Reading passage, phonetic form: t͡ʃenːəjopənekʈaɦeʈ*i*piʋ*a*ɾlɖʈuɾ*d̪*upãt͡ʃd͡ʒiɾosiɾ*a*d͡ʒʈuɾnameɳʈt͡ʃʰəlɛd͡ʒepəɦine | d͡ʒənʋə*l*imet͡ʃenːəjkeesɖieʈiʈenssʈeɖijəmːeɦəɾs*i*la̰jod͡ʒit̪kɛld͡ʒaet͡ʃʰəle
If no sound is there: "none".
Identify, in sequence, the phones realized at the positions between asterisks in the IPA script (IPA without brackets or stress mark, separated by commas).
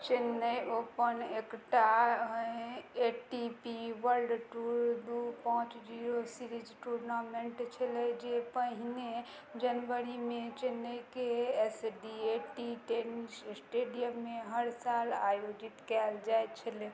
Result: i, ə, d̪, i, ɾ, a